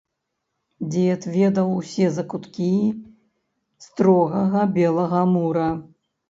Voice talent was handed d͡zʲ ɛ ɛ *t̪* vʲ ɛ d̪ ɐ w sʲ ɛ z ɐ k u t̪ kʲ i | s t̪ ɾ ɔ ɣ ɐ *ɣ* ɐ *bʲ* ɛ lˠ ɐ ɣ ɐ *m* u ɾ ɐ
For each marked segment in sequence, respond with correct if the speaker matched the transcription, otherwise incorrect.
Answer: correct, correct, correct, correct

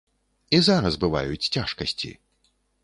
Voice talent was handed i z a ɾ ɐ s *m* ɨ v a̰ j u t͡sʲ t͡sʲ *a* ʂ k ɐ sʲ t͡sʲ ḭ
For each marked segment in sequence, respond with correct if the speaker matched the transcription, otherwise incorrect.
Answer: incorrect, correct

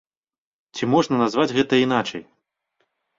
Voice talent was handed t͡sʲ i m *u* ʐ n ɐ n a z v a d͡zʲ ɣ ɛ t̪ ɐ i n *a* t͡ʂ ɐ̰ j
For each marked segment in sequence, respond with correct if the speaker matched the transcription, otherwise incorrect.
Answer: incorrect, correct

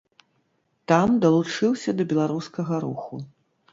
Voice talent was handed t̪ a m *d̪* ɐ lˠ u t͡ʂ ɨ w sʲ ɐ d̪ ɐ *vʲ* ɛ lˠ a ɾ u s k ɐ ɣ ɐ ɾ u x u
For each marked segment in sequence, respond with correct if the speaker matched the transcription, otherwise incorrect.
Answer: correct, incorrect

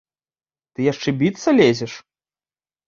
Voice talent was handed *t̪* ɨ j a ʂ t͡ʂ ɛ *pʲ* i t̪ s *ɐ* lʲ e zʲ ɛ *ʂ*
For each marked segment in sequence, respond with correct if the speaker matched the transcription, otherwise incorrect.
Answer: correct, incorrect, correct, correct

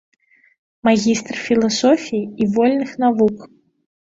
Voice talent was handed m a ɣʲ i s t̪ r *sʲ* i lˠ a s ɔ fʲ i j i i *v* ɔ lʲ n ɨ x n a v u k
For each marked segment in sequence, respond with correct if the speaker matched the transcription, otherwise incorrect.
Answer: incorrect, correct

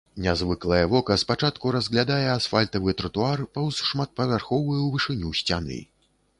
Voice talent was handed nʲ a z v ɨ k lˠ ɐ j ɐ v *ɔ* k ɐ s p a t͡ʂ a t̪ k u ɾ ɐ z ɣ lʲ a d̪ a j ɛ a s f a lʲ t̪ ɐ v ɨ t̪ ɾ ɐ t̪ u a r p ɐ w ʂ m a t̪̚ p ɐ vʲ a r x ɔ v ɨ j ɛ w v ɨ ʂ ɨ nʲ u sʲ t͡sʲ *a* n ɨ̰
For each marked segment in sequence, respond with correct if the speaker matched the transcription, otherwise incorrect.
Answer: correct, correct

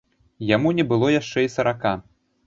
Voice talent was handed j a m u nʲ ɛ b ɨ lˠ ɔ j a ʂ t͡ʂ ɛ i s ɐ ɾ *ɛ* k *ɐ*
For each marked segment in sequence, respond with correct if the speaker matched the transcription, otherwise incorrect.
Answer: incorrect, incorrect

